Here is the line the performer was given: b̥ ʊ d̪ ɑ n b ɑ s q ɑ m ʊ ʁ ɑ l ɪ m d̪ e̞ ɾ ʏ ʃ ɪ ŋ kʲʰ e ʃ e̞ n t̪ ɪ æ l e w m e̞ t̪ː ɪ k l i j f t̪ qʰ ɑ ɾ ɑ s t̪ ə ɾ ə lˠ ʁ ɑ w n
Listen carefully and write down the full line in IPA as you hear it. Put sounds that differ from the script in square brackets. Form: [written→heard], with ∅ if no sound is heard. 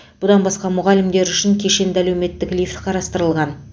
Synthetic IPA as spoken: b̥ ʊ d̪ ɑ n b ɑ s q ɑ m ʊ ʁ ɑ l ɪ m d̪ e̞ ɾ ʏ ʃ ɪ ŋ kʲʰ e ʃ e̞ n [t̪→d̪] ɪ æ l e w m e̞ t̪ː ɪ k l i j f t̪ qʰ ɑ ɾ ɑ s t̪ ə ɾ ə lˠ ʁ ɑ [w→∅] n